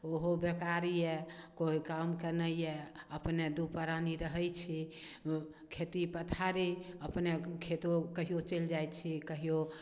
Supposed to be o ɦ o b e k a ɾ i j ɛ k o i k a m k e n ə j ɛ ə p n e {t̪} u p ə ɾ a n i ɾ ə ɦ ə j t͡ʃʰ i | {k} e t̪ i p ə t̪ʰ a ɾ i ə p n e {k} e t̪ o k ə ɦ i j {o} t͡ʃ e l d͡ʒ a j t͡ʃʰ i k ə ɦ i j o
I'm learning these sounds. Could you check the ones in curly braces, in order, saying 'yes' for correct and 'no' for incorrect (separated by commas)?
no, no, no, yes